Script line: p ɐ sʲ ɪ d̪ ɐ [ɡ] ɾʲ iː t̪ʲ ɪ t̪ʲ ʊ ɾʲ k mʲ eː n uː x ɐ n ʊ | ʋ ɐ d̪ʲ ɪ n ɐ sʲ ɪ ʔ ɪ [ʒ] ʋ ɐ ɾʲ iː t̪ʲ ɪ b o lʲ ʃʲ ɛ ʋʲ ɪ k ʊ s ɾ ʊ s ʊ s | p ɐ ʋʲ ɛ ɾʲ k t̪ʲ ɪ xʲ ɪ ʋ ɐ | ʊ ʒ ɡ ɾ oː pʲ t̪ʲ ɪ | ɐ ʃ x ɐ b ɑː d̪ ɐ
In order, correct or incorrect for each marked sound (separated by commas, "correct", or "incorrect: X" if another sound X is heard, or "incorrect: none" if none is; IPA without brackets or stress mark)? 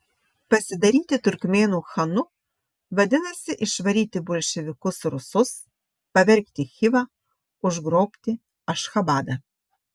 incorrect: none, incorrect: ʃ